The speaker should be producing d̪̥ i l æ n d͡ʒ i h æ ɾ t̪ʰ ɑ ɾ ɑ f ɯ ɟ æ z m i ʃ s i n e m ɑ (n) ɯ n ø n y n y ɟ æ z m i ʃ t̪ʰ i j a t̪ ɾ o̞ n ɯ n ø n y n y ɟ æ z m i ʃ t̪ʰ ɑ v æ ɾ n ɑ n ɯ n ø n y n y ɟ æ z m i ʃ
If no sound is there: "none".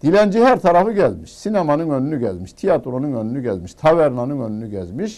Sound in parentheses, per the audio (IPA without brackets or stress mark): n